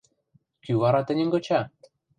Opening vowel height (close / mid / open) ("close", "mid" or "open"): close